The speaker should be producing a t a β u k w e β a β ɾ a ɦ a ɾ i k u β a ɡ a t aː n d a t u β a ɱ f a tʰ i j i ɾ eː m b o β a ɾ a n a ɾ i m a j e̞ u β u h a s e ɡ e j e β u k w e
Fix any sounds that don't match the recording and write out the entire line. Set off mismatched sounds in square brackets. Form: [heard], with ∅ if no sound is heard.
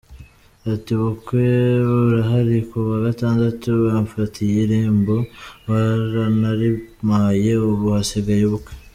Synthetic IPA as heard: a t [i] β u k w e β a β ɾ a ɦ a ɾ i k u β a ɡ a t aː n d a t u β a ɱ f a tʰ i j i ɾ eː m b o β a ɾ a n a ɾ i m a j e̞ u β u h a s e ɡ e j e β u k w e